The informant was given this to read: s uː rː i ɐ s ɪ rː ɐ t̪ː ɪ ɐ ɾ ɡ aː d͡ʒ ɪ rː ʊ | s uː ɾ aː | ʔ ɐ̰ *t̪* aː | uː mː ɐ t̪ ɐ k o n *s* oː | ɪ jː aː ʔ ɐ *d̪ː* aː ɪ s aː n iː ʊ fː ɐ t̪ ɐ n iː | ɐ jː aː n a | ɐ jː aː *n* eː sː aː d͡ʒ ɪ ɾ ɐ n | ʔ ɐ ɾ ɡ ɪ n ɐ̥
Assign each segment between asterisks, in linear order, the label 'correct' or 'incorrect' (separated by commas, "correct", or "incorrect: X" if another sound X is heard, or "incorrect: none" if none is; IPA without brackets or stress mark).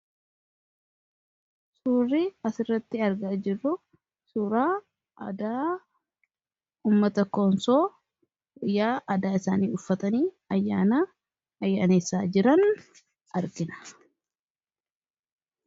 incorrect: d̪, correct, incorrect: d̪, correct